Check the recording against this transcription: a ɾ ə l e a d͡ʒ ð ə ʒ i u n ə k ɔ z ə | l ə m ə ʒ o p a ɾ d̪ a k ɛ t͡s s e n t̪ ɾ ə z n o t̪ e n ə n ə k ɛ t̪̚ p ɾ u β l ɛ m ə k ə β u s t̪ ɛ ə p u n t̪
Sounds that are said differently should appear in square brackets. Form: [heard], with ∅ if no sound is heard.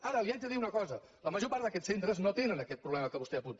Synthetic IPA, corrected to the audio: a ɾ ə l [i] a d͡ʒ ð ə [ð] i u n ə k ɔ z ə | l ə m ə ʒ o p a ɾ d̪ [ə] k ɛ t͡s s e n t̪ ɾ ə z n o t̪ e n ə n ə k ɛ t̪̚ p ɾ u β l ɛ m ə k ə β u s t̪ ɛ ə p u n t̪